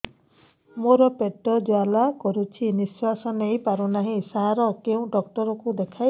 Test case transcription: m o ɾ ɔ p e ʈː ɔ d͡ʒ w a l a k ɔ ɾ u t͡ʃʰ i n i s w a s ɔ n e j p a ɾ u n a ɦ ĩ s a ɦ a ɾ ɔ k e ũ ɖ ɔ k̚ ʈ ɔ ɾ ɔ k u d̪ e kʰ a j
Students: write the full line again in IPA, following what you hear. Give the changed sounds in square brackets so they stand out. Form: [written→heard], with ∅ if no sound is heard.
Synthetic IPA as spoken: m o ɾ ɔ p e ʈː ɔ d͡ʒ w a l a k ɔ ɾ u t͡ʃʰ i n i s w a s ɔ n e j p a ɾ u n a ɦ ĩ s a ɦ a ɾ ɔ k e ũ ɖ ɔ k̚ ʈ ɔ ɾ ɔ k u d̪ e kʰ a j